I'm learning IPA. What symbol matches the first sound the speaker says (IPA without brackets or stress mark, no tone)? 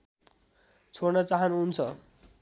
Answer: t͡sʰ